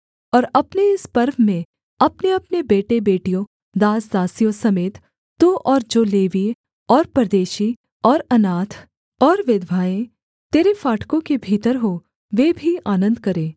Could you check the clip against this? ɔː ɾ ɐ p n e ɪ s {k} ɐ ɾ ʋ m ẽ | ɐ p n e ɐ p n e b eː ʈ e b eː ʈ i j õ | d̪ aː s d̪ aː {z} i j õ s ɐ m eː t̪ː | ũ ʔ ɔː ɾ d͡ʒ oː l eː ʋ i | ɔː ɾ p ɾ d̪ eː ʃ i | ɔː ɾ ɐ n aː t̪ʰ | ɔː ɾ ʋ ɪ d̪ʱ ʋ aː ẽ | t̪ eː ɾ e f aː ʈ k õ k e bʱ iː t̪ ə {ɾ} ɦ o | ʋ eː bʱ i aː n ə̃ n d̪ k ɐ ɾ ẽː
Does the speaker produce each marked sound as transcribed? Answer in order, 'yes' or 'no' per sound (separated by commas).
no, no, yes